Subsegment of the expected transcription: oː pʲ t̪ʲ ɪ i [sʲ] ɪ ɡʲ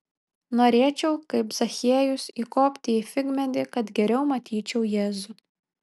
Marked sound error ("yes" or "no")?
yes